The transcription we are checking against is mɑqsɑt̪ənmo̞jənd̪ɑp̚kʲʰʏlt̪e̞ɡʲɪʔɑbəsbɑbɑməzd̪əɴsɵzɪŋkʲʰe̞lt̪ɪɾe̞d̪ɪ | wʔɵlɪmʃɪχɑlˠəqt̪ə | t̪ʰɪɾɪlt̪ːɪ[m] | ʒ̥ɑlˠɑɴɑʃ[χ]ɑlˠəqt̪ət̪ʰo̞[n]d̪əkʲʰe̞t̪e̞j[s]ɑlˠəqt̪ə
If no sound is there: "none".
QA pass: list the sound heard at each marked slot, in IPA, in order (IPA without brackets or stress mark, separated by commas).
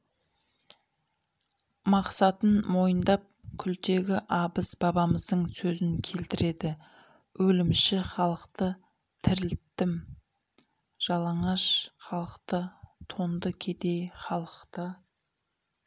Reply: m, χ, n, χ